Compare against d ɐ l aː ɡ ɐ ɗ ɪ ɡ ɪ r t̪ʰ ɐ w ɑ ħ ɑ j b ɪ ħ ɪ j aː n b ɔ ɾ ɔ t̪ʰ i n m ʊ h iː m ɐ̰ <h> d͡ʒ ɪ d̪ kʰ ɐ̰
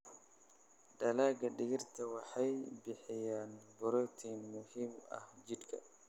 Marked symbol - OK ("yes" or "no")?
yes